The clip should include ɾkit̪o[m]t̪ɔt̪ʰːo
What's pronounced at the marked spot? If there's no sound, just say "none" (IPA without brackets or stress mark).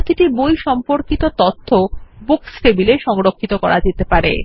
none